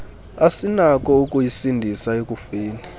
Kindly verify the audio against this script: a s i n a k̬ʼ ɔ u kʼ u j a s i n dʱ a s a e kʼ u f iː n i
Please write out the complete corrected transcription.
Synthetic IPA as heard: a s i n a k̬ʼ ɔ u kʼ u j i s i n dʱ i s a e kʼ u f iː n i